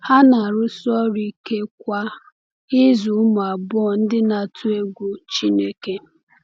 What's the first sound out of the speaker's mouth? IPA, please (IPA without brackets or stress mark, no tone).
h